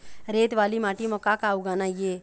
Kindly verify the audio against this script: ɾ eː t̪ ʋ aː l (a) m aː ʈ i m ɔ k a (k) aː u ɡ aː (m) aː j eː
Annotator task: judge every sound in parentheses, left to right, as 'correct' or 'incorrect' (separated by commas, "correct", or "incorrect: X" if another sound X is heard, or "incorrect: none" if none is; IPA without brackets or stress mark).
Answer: incorrect: i, correct, incorrect: n